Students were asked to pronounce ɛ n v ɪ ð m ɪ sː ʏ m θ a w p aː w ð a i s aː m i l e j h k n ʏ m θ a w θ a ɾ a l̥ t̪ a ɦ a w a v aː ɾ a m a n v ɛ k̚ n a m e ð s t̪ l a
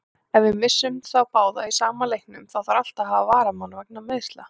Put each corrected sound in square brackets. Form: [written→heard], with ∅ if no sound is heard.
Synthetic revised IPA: ɛ n v ɪ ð m ɪ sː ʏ m θ a w p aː w ð a i s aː m [i→a] l e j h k n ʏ m θ a w θ a ɾ a l̥ t̪ a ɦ a [w→v] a v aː ɾ a m a n v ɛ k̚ n a m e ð s t̪ l a